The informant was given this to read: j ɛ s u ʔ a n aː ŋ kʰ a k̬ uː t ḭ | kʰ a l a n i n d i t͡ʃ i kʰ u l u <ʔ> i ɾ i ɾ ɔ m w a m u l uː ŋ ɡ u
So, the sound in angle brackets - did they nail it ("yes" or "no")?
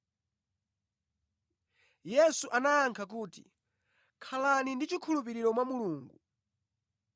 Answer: no